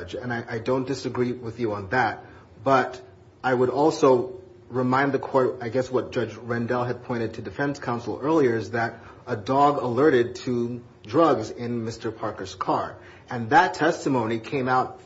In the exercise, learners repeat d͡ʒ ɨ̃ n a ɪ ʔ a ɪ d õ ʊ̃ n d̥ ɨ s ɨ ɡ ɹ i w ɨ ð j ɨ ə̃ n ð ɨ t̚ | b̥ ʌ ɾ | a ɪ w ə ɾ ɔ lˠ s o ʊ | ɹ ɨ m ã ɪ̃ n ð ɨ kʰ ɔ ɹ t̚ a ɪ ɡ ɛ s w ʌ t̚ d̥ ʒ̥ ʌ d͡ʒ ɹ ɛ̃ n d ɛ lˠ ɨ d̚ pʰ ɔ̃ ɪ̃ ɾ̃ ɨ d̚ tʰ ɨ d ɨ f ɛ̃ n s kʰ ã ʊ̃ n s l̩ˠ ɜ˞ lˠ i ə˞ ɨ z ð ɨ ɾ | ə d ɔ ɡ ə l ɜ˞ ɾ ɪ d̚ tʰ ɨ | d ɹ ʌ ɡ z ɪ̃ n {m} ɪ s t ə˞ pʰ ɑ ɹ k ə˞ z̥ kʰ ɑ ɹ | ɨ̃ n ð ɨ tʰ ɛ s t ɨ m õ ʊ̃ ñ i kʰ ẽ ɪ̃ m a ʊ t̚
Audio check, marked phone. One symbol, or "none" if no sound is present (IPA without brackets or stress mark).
m